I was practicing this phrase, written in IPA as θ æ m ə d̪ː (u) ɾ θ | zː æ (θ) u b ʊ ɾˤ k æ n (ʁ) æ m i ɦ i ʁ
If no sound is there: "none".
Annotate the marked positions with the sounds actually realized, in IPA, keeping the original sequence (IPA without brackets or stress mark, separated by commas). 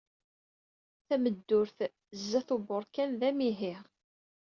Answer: ʊ, θ, ð